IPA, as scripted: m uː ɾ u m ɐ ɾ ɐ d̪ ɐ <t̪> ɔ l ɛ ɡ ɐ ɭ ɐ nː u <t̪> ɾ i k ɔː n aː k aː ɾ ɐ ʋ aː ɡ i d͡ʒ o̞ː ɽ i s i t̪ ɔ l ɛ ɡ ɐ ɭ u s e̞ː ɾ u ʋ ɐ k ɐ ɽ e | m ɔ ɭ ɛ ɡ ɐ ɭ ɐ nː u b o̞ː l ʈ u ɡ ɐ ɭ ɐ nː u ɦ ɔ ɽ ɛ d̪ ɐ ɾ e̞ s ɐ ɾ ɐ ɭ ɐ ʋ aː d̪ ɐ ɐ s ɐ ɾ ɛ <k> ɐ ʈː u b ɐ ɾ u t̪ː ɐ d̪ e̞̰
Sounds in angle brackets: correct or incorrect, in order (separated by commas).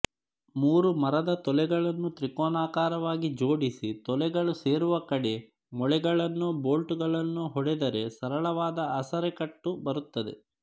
correct, correct, correct